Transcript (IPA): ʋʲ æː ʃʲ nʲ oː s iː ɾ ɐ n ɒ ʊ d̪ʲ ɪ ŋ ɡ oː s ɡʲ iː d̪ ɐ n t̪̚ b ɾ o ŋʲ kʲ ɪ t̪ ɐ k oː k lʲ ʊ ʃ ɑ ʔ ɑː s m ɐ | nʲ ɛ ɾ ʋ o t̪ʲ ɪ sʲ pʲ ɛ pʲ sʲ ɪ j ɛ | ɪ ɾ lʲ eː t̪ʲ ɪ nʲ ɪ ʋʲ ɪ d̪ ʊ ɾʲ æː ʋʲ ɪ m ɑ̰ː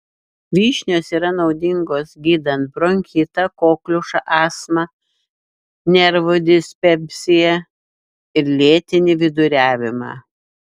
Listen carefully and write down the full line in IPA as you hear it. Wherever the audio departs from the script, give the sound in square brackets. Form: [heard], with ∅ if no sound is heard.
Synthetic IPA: ʋʲ [iː] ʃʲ nʲ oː s iː ɾ ɐ n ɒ ʊ d̪ʲ ɪ ŋ ɡ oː s ɡʲ iː d̪ ɐ n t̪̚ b ɾ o ŋʲ kʲ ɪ t̪ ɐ k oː k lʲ ʊ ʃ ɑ ʔ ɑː s m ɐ | nʲ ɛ ɾ ʋ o [d̪ʲ] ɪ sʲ pʲ ɛ pʲ sʲ ɪ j ɛ | ɪ ɾ lʲ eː t̪ʲ ɪ nʲ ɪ ʋʲ ɪ d̪ ʊ ɾʲ æː ʋʲ ɪ m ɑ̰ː